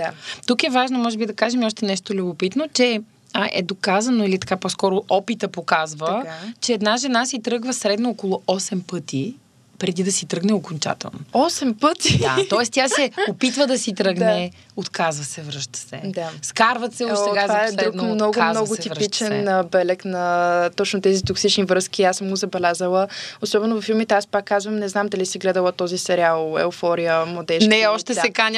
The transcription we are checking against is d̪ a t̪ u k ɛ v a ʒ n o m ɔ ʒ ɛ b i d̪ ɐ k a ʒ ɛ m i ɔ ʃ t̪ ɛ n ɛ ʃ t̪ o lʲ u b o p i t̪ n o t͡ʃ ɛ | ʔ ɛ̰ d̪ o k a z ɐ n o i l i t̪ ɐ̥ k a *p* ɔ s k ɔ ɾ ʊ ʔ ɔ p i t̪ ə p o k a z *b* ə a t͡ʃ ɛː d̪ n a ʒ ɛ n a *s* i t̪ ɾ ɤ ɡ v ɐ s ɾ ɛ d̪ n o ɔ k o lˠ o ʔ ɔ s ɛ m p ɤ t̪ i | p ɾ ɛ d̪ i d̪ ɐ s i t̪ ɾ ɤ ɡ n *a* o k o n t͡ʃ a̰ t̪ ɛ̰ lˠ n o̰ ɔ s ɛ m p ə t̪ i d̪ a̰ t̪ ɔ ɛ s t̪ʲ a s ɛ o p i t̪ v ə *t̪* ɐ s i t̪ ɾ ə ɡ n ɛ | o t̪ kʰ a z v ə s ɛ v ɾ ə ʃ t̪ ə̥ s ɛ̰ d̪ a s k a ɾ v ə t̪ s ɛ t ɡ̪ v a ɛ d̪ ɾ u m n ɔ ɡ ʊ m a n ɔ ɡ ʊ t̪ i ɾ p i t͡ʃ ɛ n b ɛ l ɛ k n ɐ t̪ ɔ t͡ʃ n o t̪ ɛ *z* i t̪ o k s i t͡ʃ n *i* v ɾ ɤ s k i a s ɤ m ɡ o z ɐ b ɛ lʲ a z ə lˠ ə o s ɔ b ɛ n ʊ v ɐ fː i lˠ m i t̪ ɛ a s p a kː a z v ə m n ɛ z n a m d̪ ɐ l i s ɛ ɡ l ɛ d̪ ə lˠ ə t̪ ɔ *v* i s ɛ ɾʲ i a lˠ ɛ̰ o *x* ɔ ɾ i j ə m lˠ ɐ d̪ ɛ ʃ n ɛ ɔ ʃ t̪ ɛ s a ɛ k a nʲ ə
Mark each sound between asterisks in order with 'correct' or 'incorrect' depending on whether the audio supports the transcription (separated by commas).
correct, incorrect, correct, incorrect, incorrect, correct, correct, incorrect, incorrect